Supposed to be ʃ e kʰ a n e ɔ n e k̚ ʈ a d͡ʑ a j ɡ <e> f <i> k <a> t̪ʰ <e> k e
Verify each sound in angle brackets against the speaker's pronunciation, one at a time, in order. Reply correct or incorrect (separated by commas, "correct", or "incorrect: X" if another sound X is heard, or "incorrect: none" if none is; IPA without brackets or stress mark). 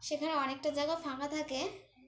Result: incorrect: a, incorrect: a, correct, incorrect: a